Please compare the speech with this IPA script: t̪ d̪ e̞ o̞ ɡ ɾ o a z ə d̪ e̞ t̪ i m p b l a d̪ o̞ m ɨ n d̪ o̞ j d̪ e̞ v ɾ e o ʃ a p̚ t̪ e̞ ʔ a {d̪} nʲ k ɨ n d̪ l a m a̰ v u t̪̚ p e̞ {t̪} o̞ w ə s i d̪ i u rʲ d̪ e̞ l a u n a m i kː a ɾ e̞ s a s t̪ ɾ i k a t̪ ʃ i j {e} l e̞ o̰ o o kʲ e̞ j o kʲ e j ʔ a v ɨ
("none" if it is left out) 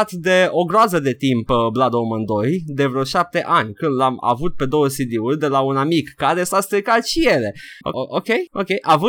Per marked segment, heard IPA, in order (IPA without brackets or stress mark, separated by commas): none, d̪, e